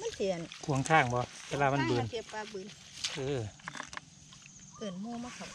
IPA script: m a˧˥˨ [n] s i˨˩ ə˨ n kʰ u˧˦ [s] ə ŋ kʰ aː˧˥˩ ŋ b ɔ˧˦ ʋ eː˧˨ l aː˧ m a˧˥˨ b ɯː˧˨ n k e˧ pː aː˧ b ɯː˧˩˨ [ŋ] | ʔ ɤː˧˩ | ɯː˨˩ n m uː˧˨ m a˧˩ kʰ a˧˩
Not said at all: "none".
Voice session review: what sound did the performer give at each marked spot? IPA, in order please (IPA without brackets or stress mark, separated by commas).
n, none, n